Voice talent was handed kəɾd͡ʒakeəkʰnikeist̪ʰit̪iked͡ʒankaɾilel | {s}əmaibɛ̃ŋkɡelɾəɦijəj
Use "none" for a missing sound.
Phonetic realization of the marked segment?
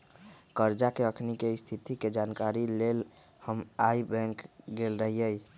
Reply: h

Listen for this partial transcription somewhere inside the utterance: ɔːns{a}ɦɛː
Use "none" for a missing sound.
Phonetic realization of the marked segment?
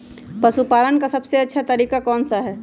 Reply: a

